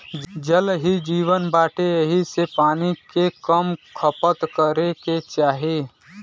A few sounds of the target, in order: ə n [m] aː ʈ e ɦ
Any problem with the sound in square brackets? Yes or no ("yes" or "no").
yes